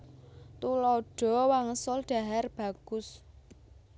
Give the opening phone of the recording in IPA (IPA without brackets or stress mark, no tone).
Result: t̪